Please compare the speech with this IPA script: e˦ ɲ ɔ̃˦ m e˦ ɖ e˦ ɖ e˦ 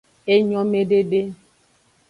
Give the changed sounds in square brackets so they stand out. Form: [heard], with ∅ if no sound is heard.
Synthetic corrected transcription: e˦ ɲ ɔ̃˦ m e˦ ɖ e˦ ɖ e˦